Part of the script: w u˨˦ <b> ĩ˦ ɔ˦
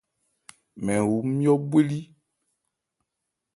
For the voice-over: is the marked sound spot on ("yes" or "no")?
no